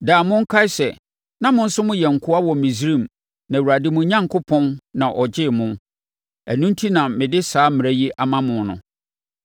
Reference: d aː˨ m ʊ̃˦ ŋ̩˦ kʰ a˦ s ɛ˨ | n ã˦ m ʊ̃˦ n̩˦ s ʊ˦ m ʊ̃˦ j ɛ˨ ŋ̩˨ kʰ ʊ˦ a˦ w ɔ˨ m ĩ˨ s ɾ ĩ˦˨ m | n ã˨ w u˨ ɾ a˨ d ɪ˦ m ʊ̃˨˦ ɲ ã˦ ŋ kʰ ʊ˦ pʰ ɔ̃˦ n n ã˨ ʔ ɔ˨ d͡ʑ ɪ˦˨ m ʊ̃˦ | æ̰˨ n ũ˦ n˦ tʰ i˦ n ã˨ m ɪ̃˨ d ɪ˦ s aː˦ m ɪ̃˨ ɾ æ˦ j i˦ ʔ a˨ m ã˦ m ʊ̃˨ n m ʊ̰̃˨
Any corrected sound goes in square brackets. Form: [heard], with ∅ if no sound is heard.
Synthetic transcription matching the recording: d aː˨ m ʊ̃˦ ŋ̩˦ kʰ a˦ s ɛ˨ | n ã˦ m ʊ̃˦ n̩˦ s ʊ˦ m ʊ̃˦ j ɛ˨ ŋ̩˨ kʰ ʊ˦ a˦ w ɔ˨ m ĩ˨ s ɾ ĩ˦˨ m | n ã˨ w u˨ ɾ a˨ d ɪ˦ m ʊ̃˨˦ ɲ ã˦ ŋ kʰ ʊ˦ pʰ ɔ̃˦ n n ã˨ ʔ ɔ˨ d͡ʑ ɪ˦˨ m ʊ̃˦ | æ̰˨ n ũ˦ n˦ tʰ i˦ n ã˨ m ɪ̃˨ d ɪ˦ s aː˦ m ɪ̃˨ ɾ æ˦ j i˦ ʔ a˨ m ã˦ m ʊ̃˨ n [n] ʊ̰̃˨